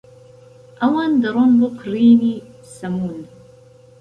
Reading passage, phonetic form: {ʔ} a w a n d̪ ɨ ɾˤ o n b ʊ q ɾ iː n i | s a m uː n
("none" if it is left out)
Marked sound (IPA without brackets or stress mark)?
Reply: ʔ